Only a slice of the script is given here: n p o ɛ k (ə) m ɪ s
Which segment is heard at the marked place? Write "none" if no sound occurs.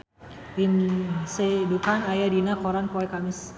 a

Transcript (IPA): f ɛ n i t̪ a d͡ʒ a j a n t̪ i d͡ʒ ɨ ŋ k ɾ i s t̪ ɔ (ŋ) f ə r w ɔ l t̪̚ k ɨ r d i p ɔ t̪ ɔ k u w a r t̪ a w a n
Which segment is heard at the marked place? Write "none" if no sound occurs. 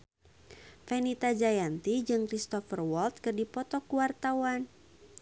none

